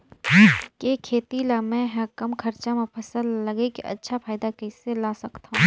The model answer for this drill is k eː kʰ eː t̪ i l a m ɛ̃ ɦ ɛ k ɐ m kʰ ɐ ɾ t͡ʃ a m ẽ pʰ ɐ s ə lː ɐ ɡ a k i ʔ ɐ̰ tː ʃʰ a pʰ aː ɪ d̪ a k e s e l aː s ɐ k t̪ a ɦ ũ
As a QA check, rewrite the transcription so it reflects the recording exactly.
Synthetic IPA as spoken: k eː kʰ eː t̪ i l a m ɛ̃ ɦ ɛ k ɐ m kʰ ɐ ɾ t͡ʃ a m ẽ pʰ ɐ s ə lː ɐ ɡ e k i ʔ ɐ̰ tː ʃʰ a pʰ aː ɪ d̪ a k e s e l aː s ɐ k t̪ a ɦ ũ